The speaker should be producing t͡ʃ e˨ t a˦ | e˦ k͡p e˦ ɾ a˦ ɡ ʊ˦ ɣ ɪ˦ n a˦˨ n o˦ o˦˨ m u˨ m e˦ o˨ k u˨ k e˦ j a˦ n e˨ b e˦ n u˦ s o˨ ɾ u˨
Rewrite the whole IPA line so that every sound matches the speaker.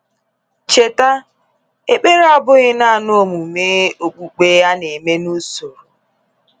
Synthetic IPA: t͡ʃ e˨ t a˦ | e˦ k͡p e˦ ɾ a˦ b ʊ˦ ɣ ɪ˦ n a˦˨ n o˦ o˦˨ m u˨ m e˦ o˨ k͡p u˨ k͡p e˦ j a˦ n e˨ m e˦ n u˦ s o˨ ɾ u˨